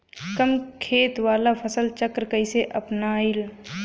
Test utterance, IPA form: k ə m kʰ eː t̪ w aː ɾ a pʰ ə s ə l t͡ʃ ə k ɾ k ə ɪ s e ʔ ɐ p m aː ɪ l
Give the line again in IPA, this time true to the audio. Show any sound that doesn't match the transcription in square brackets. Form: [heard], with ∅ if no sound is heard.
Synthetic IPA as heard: k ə m kʰ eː t̪ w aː [l] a pʰ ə s ə l t͡ʃ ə k ɾ k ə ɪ s e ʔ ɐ p [n] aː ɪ l

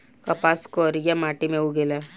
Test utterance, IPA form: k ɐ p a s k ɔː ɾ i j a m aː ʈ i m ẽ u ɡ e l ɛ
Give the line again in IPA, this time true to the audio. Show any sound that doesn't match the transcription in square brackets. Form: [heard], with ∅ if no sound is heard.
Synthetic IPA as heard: k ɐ p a s k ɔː ɾ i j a m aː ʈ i m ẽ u ɡ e l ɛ

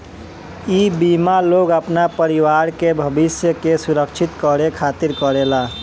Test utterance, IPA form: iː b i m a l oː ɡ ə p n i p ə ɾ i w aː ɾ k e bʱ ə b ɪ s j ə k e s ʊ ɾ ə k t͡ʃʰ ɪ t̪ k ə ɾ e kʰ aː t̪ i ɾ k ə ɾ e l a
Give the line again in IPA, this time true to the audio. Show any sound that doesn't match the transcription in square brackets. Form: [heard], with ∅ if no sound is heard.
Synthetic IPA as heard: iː b i m a l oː ɡ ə p n [a] p ə ɾ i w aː ɾ k e bʱ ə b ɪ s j ə k e s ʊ ɾ ə k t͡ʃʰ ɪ t̪ k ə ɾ e kʰ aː t̪ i ɾ k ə ɾ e l a

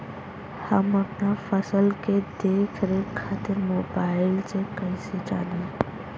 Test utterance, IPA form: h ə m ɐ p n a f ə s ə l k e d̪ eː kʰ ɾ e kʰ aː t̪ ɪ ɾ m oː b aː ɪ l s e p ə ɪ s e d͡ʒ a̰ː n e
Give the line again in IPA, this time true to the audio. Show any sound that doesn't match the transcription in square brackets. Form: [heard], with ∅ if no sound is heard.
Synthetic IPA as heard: h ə m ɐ p n a f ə s ə l k e d̪ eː kʰ ɾ e kʰ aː t̪ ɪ ɾ m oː b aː ɪ l s e [k] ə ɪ s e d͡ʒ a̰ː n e

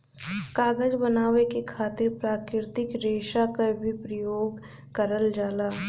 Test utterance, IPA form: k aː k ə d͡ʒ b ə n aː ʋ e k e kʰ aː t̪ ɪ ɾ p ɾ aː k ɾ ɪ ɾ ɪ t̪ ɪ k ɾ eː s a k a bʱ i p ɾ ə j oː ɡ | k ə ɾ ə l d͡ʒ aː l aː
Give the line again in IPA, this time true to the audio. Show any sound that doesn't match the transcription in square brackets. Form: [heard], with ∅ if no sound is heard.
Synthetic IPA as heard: k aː [ɡ] ə d͡ʒ b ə n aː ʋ e k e kʰ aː t̪ ɪ ɾ p ɾ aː k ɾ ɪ ɾ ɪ t̪ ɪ k ɾ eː [ʃ] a k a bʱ i p ɾ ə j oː ɡ | k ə ɾ ə l d͡ʒ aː l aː

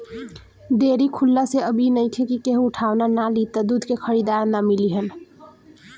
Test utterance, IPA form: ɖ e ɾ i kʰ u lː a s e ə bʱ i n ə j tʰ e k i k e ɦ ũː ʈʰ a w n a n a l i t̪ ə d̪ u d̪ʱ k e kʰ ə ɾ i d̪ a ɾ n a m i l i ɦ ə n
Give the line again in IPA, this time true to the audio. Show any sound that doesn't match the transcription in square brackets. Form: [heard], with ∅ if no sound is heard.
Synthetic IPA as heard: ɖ e ɾ i kʰ u lː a s e ə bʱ i n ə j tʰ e k i k e ɦ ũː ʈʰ a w n a n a l i t̪ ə d̪ u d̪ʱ k e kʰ ə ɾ i d̪ a ɾ n a m i l i ɦ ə n

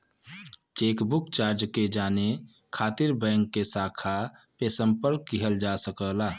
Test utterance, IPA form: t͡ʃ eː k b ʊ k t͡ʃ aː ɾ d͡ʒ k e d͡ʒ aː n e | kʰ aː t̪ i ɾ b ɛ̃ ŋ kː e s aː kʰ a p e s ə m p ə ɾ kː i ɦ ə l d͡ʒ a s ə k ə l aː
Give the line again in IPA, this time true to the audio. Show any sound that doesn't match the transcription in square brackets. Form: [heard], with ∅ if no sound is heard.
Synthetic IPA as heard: t͡ʃ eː k b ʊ k t͡ʃ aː ɾ d͡ʒ k e d͡ʒ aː n e | kʰ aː t̪ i ɾ b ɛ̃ ŋ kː e s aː kʰ a p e s ə m p ə ɾ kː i ɦ ə l d͡ʒ a s ə k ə l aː

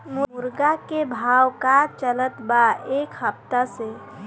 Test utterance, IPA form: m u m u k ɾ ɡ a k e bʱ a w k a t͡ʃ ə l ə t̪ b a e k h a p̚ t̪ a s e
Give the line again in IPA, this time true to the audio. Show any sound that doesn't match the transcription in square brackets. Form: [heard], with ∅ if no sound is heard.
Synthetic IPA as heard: m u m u [∅] ɾ ɡ a k e bʱ a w k a t͡ʃ ə l ə t̪ b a e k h [ə] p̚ t̪ a s e

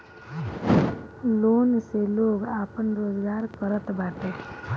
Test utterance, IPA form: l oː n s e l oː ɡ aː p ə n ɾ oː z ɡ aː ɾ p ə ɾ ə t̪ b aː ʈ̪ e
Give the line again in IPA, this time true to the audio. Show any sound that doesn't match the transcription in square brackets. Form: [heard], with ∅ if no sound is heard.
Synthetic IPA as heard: l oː n s e l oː ɡ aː p ə n ɾ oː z ɡ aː ɾ [k] ə ɾ ə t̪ b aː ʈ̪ e

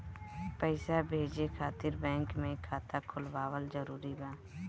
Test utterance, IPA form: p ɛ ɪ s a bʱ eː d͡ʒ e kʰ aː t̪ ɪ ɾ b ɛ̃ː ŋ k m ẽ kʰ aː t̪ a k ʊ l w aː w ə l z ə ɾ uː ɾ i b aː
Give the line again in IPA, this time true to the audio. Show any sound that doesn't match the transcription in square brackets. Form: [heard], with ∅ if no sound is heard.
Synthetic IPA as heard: p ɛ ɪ s a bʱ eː d͡ʒ e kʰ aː t̪ ɪ ɾ b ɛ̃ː ŋ k m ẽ kʰ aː t̪ a [kʰ] ʊ l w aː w ə l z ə ɾ uː ɾ i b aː

